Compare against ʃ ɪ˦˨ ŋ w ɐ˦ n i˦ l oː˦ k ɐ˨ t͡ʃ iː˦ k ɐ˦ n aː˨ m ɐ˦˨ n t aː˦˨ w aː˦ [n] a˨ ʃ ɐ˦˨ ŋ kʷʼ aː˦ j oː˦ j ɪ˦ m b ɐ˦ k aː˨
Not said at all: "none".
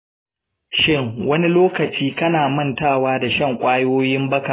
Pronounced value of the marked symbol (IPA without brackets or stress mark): d